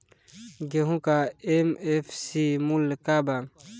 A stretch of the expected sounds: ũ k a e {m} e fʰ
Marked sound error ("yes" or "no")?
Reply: no